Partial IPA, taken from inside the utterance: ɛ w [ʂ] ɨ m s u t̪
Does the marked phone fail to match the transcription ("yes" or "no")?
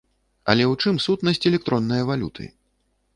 yes